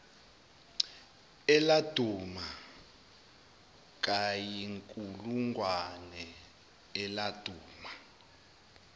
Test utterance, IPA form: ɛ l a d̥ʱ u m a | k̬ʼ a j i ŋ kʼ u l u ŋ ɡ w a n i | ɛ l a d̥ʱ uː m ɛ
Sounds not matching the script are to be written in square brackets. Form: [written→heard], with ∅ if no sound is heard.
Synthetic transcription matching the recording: ɛ l a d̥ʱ u m a | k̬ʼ a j i ŋ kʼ u l u ŋ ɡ w a n [i→ɛ] | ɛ l a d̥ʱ uː m [ɛ→a]

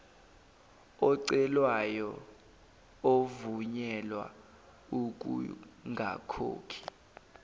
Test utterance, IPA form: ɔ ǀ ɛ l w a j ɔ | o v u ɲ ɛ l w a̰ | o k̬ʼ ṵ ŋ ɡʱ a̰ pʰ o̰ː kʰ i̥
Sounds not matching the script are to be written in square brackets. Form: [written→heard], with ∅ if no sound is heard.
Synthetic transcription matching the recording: ɔ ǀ ɛ l w a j ɔ | o v u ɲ ɛ l w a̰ | [o→u] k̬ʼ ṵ ŋ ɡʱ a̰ [pʰ→kʰ] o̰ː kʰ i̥

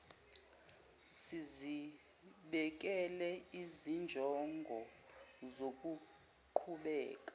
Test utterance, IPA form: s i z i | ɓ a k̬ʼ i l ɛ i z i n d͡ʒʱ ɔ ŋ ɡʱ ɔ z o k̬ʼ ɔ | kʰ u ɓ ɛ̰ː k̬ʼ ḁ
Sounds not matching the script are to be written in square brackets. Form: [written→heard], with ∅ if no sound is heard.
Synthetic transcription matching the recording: s i z i | ɓ [a→ɛ] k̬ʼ [i→ɛ] l ɛ i z i n d͡ʒʱ ɔ ŋ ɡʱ ɔ z o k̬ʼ [ɔ→u] | [kʰ→ǃʰ] u ɓ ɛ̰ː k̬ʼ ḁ

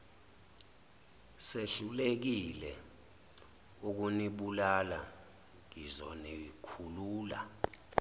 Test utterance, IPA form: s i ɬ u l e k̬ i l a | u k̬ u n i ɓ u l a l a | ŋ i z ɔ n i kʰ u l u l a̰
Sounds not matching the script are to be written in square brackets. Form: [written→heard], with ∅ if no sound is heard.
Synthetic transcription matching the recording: s [i→e] ɬ u l e k̬ i l [a→ɛ] | u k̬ u n i ɓ u l a l a | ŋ i z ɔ n i kʰ u l [u→uː] l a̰

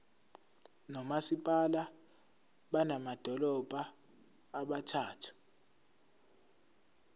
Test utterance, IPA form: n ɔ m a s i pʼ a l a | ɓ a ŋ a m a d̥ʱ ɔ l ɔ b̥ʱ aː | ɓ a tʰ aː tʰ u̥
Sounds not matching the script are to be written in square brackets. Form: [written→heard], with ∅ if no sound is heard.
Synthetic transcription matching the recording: n ɔ m a s i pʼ a l a | ɓ a [ŋ→n] a m a d̥ʱ ɔ l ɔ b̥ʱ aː | ɓ a tʰ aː tʰ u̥

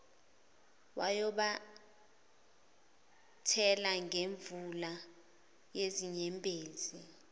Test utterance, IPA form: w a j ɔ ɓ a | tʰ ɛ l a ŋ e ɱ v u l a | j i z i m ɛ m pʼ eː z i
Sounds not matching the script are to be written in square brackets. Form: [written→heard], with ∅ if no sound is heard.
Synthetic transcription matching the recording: w a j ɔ ɓ a | tʰ ɛ l a ŋ e ɱ v u l a | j [i→e] z i [m→ɲ] ɛ m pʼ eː z i

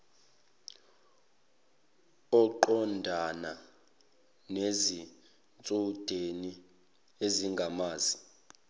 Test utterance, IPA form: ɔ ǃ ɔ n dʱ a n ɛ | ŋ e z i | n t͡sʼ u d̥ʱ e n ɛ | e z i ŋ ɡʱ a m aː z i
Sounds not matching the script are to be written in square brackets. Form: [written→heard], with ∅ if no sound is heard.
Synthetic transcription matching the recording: ɔ ǃ ɔ n dʱ a n [ɛ→a] | [ŋ→n] e z i | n t͡sʼ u d̥ʱ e n [ɛ→i] | e z i ŋ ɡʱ a m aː z i

